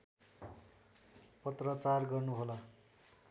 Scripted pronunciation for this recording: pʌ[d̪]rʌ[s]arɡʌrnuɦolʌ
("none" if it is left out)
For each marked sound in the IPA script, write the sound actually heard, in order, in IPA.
t̪, t͡s

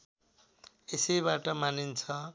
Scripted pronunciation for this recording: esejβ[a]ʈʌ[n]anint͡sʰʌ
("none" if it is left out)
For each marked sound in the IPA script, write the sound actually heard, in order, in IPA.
a, m

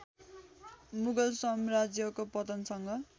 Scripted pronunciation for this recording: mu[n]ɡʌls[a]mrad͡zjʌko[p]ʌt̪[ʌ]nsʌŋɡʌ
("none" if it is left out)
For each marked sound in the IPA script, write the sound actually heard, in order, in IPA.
none, ʌ, p, ʌ

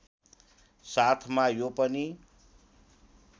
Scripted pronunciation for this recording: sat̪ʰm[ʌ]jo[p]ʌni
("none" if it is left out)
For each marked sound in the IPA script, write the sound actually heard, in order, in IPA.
a, p

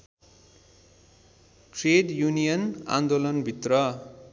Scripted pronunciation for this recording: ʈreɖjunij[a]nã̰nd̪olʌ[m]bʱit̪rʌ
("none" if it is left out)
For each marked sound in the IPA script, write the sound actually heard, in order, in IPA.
ʌ, n

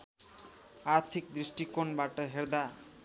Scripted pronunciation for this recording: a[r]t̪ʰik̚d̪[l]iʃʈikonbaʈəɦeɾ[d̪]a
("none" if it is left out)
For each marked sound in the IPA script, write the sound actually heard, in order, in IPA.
ɾ, ɾ, d̪

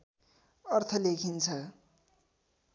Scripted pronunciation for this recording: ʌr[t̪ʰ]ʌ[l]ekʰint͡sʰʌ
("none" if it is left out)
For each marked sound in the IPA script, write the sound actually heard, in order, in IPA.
t̪ʰ, l

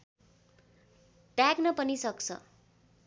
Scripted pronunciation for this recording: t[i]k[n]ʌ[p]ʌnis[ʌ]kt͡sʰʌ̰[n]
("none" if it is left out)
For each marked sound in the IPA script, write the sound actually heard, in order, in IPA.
a, n, p, ʌ, none

